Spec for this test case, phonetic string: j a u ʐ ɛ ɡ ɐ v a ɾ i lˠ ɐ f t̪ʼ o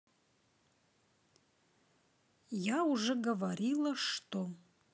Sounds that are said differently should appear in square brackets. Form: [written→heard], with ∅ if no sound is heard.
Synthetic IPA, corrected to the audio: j a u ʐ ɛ ɡ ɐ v a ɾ i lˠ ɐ [f→ʂ] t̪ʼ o